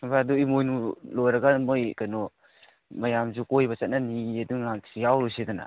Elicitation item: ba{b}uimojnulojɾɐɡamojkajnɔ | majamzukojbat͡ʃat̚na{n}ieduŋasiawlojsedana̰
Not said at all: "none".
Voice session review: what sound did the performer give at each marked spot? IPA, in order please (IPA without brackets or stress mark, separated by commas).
d, n